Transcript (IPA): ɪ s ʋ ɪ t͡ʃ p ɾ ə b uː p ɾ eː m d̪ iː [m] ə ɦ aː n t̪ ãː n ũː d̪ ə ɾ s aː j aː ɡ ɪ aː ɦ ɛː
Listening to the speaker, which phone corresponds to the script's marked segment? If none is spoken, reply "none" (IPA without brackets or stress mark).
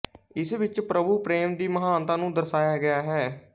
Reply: m